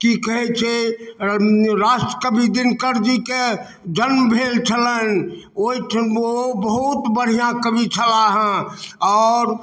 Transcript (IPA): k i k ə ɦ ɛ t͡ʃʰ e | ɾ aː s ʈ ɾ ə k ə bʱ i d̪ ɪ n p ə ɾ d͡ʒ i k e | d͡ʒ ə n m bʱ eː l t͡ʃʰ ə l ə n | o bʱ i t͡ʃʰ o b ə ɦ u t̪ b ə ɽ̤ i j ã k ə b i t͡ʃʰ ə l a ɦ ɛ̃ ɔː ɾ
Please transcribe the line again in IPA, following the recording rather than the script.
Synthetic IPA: k i k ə ɦ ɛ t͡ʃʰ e | ɾ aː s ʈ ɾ ə k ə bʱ i d̪ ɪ n k ə ɾ d͡ʒ i k e | d͡ʒ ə n m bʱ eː l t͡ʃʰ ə l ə n | o i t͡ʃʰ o b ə ɦ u t̪ b ə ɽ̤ i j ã k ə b i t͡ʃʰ ə l a ɦ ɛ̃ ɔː ɾ